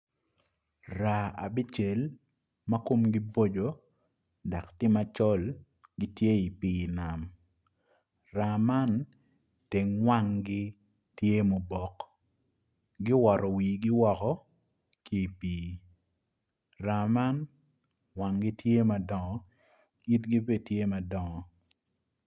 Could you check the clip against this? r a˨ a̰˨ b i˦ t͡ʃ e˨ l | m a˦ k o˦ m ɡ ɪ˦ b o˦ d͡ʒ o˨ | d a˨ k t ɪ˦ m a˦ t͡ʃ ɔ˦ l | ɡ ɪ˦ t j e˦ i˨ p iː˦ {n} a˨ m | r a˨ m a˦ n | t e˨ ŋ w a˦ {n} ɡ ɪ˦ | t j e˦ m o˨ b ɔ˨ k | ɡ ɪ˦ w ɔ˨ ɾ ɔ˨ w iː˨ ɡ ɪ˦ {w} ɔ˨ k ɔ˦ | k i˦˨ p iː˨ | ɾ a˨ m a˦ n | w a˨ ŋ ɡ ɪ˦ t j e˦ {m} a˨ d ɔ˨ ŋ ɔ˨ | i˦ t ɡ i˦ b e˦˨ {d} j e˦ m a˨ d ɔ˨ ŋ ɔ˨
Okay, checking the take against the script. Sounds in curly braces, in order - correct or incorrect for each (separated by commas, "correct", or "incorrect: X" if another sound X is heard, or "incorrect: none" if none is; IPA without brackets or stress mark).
correct, incorrect: ŋ, correct, correct, incorrect: t